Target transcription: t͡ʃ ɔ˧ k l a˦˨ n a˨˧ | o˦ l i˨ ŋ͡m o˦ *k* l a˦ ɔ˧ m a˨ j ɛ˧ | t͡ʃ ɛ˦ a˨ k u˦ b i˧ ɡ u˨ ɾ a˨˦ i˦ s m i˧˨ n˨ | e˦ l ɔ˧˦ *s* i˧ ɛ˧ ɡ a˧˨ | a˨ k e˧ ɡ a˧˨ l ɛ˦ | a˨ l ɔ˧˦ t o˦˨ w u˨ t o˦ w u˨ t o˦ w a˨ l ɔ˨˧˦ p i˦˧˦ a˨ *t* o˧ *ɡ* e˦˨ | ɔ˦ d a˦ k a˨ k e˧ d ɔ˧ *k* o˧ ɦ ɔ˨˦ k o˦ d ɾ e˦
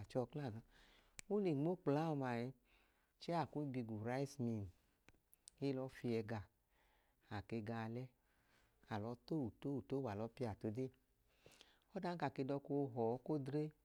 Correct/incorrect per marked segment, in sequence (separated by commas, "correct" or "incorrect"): incorrect, incorrect, correct, incorrect, correct